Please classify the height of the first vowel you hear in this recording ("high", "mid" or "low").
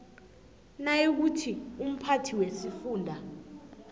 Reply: low